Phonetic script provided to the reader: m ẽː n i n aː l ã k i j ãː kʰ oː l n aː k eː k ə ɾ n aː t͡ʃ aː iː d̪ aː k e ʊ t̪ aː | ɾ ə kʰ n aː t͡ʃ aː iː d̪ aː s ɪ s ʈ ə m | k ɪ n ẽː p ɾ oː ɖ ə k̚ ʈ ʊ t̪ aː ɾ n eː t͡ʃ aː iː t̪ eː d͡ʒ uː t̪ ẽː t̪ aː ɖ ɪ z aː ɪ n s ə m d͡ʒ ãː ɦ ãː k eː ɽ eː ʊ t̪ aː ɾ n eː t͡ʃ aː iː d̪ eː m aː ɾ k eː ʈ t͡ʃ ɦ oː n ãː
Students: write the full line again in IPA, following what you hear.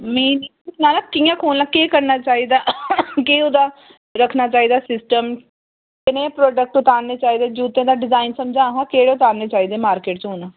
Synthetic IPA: m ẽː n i n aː l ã k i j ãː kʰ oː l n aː k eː k ə ɾ n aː t͡ʃ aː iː d̪ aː k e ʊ d̪ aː | ɾ ə kʰ n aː t͡ʃ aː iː d̪ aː s ɪ s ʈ ə m | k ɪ n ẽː p ɾ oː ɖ ə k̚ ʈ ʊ t̪ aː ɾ n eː t͡ʃ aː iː d̪ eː d͡ʒ uː t̪ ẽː d̪ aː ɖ ɪ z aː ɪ n s ə m d͡ʒ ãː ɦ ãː k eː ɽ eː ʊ t̪ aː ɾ n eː t͡ʃ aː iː d̪ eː m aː ɾ k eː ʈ t͡ʃ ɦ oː n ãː